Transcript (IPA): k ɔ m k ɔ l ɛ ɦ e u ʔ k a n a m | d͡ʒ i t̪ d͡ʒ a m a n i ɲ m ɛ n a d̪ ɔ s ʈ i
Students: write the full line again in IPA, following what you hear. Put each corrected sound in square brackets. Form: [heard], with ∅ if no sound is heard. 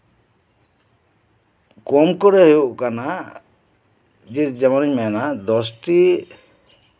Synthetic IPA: k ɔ m k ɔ [ɾ] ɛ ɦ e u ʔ k a n a [∅] | d͡ʒ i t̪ d͡ʒ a m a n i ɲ m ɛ n a d̪ ɔ s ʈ i